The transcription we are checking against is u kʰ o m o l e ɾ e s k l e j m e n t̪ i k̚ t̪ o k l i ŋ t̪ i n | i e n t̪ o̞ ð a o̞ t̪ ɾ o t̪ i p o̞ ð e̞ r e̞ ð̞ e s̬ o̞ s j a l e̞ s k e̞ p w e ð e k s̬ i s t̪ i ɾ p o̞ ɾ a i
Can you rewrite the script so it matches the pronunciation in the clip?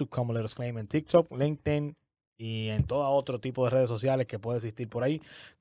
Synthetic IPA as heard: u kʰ o m o l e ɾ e s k l e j m e n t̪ i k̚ t̪ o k l i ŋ t̪ i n | i e n t̪ o̞ ð a o̞ t̪ ɾ o t̪ i p o̞ ð e̞ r e̞ ð̞ e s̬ o̞ s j a l e̞ s k e̞ p w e ð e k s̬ i s t̪ i ɾ p o̞ ɾ a i